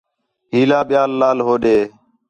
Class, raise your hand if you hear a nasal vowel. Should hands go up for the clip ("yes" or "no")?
no